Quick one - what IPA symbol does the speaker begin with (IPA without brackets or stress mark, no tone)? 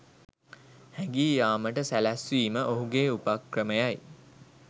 h